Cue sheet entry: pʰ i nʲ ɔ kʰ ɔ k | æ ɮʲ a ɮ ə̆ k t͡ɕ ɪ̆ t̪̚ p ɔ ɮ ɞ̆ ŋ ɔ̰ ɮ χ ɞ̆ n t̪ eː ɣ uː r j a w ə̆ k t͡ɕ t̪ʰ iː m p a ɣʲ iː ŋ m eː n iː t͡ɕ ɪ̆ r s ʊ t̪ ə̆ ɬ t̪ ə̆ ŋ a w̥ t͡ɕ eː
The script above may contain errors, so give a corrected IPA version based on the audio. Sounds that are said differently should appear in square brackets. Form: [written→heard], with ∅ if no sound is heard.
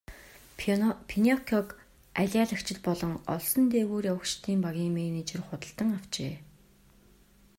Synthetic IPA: pʰ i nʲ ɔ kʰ ɔ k | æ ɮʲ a ɮ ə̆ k t͡ɕ ɪ̆ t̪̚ p ɔ ɮ ɞ̆ ŋ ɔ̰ ɮ [χ→s] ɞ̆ n t̪ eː ɣ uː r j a w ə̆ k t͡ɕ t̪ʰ iː m p a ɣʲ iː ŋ m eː n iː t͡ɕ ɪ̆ r [s→χ] ʊ t̪ ə̆ ɬ t̪ ə̆ ŋ a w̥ t͡ɕ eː